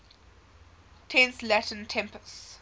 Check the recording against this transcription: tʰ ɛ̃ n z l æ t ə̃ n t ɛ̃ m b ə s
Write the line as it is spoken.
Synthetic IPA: tʰ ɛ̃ n s l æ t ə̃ n tʰ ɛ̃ m p ə s